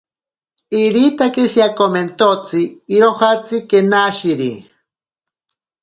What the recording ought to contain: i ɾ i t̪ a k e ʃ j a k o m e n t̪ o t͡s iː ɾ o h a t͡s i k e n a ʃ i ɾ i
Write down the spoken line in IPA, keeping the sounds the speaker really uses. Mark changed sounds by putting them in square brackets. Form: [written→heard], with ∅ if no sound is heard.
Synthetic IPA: i ɾ i t̪ a k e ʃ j a k o m e n t̪ o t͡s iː ɾ o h a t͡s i k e n a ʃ i ɾ i